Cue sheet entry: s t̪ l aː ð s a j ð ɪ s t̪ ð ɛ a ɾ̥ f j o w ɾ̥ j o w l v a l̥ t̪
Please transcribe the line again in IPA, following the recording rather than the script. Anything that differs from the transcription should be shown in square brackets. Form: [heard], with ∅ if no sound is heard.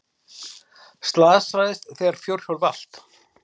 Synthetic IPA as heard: s t̪ l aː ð s a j ð ɪ s t̪ [θ] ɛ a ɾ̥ f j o w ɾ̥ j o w l v a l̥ t̪